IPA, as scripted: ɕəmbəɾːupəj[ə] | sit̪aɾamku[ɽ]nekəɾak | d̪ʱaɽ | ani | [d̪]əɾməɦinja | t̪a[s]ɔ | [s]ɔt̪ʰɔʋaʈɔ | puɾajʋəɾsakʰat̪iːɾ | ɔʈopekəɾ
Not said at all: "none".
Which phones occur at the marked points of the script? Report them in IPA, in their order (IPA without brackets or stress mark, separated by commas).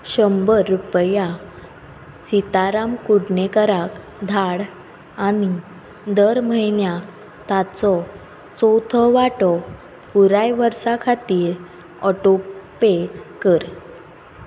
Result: a, ɽ, d̪, t͡s, t͡s